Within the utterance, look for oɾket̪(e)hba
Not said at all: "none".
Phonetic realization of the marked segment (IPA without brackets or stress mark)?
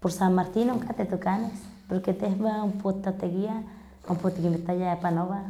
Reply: e